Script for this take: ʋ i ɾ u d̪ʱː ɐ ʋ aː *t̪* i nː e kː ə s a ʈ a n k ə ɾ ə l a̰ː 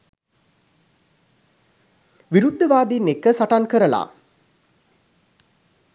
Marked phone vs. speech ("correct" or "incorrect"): incorrect